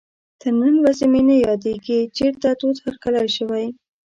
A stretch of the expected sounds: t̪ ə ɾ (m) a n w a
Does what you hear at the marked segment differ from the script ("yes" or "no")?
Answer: yes